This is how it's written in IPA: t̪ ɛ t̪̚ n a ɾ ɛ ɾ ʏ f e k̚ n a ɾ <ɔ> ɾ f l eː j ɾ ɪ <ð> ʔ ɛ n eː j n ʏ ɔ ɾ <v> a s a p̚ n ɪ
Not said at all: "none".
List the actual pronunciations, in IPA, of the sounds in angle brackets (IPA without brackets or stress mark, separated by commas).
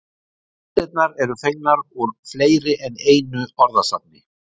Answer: u, none, ð